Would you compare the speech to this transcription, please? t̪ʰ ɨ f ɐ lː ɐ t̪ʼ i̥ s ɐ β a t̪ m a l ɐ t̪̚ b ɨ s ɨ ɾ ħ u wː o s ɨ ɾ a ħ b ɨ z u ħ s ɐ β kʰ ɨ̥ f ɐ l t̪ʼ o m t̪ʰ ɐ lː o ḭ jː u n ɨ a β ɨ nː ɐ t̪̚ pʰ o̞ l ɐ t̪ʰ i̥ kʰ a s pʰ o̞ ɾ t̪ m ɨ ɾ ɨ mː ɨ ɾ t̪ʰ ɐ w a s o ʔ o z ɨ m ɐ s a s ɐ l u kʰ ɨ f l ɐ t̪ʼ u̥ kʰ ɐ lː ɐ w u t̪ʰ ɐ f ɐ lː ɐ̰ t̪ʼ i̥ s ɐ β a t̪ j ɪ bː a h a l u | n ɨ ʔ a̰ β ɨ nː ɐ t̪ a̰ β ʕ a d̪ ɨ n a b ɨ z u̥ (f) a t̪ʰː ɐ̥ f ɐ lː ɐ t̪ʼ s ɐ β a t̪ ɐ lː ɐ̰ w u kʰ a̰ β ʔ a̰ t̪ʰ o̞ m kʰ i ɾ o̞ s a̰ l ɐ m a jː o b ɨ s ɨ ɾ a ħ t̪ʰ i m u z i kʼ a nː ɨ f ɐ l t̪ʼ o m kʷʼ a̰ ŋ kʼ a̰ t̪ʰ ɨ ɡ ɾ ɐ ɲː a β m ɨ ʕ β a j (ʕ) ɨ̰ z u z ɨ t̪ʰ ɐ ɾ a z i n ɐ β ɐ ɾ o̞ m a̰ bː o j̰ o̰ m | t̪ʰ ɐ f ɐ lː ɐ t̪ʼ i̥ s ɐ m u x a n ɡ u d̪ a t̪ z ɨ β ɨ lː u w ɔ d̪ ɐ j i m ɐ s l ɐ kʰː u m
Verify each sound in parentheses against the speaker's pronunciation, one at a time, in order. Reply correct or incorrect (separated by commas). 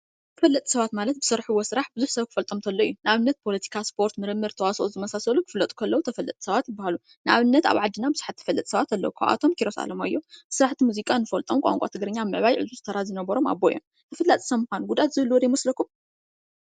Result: incorrect, correct